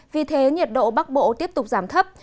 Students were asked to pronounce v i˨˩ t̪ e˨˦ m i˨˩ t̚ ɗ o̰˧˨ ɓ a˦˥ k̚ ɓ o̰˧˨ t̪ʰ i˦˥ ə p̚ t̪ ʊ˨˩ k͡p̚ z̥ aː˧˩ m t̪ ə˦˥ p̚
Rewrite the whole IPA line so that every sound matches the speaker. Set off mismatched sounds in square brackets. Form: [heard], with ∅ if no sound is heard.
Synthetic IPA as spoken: v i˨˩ [t̪ʰ] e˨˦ [ɲ] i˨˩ t̚ ɗ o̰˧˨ ɓ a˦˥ k̚ ɓ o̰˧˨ [t̪] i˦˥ ə p̚ t̪ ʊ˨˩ k͡p̚ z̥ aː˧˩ m [t̪ʰ] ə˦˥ p̚